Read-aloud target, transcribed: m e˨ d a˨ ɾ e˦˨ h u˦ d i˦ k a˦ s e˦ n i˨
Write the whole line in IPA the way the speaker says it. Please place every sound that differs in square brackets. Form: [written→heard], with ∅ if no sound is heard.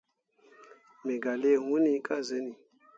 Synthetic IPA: m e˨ [d→ɡ] a˨ [ɾ→l] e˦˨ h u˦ [d→n] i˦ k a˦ [s→z] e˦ n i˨

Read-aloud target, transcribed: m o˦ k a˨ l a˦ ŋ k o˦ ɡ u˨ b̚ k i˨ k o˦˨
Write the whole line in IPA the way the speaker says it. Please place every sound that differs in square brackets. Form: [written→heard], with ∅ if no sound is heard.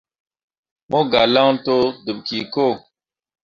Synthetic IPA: m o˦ [k→ɡ] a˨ l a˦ ŋ [k→t] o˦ [ɡ→d] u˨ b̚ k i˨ k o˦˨

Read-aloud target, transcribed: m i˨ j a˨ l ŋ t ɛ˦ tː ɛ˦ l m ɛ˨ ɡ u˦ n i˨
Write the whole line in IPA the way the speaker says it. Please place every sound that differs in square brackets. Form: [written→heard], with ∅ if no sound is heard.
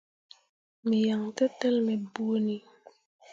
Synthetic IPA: m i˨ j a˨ [l→∅] ŋ t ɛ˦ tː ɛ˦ l m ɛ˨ [ɡ→b] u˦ n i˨

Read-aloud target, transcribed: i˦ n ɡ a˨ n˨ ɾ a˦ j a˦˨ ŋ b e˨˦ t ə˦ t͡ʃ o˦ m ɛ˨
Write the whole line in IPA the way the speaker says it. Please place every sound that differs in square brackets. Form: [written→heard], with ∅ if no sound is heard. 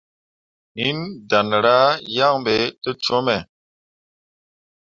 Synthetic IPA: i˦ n [ɡ→d] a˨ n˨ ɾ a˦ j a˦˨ ŋ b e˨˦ t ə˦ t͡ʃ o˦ m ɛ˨

